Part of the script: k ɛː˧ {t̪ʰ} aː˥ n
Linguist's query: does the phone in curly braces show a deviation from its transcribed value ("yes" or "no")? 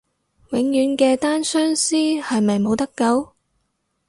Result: yes